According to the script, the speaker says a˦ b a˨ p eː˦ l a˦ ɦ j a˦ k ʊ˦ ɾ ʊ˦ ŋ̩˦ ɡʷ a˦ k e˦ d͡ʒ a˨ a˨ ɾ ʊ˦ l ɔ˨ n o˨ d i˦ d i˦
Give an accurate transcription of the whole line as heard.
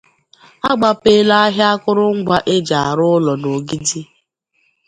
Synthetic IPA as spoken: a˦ ɡ͡b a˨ p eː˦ l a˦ ɦ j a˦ k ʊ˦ ɾ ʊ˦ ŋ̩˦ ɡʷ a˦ ʔ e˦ d͡ʒ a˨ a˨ ɾ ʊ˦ l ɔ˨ n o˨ ɡ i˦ d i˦